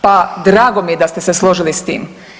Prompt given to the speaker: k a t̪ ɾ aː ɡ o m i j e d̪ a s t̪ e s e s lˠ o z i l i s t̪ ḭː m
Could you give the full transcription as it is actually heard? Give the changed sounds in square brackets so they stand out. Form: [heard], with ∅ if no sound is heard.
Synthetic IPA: [p] a [d̪] ɾ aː ɡ o m i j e d̪ a s t̪ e s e s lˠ o [ʒ] i l i s t̪ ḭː m